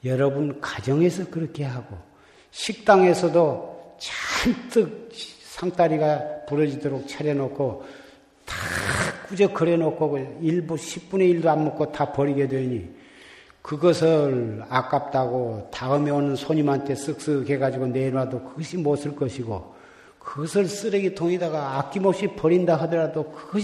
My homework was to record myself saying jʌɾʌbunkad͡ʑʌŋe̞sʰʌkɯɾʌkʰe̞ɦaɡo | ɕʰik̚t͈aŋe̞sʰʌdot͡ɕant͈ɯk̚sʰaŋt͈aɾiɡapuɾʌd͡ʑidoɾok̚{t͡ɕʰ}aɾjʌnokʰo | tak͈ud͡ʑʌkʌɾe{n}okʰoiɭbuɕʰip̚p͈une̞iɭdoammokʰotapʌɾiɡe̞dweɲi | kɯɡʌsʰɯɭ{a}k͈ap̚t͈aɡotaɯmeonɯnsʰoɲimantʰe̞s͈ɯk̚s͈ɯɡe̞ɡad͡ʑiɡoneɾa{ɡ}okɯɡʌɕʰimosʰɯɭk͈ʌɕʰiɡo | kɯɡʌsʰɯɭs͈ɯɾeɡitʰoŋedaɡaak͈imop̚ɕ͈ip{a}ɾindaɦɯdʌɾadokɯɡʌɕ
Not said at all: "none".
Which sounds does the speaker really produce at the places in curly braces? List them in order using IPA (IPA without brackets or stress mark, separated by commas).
t͡ɕʰ, n, a, d, ʌ